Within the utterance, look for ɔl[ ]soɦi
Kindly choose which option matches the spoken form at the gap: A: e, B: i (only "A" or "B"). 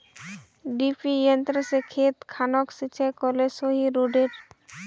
A